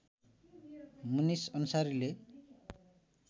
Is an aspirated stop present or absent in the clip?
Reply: absent